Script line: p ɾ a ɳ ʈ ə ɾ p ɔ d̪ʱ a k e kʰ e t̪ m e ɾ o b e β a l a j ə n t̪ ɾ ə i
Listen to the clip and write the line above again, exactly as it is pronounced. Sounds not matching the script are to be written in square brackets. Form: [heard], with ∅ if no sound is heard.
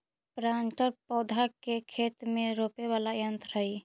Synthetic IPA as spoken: p ɾ a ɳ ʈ ə ɾ p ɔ d̪ʱ a k e kʰ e t̪ m e ɾ o [p] e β a l a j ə n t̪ ɾ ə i